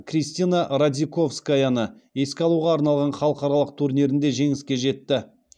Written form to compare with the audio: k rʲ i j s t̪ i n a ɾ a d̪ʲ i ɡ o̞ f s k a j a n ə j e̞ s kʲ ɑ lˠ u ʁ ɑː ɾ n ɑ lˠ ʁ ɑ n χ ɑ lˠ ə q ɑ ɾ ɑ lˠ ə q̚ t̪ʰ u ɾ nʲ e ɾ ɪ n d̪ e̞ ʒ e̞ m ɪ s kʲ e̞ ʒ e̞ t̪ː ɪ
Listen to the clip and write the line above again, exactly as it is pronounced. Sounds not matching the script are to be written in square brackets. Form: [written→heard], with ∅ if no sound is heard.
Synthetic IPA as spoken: k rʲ i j s t̪ i n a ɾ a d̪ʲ i [ɡ→k] o̞ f s k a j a n ə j e̞ s kʲ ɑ lˠ u ʁ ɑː ɾ n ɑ lˠ ʁ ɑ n χ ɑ lˠ ə q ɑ ɾ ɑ lˠ ə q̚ t̪ʰ u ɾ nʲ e ɾ ɪ n d̪ e̞ ʒ e̞ [m→ŋ] ɪ s kʲ e̞ ʒ e̞ t̪ː ɪ